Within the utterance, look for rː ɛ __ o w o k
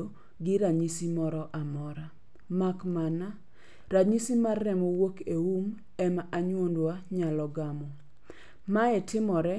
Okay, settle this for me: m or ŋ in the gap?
m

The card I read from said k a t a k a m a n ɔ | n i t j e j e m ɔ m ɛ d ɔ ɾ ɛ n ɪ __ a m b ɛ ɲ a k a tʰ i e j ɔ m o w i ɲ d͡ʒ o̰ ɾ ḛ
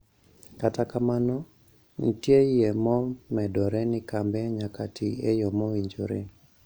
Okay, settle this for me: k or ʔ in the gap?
k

